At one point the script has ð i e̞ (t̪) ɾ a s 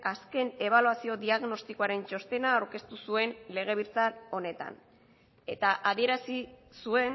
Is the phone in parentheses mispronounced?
yes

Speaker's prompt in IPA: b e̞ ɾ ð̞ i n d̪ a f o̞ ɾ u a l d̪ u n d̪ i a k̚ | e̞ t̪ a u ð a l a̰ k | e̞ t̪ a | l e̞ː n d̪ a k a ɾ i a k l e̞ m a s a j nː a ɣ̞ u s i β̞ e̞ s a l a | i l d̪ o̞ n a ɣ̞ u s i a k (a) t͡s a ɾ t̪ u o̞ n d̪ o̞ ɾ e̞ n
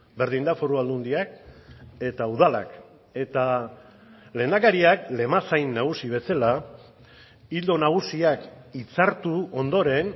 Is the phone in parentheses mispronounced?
yes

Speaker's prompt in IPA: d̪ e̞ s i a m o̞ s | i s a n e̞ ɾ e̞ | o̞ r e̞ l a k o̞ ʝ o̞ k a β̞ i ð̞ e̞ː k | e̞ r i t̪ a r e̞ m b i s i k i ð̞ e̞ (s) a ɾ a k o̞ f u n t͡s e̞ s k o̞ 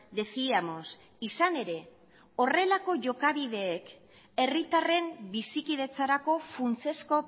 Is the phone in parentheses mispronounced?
yes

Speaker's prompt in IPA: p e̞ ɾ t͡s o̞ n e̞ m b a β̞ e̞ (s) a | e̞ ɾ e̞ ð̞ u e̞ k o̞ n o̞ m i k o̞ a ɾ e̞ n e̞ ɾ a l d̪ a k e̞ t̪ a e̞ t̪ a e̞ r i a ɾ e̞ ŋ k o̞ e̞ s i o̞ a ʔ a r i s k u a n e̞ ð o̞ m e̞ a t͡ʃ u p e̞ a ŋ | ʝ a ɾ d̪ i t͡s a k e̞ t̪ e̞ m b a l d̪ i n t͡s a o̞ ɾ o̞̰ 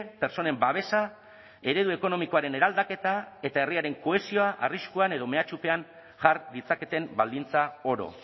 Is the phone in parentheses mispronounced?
no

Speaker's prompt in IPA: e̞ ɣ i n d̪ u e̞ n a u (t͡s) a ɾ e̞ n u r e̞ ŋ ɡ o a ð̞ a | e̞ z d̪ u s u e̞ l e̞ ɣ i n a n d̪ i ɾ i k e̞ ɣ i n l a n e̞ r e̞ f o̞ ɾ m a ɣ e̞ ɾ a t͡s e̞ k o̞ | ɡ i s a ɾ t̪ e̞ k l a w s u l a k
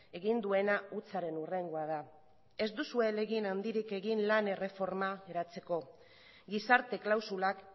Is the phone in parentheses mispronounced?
no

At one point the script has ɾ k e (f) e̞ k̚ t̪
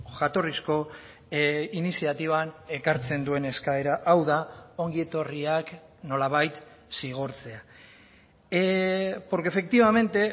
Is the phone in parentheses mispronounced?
no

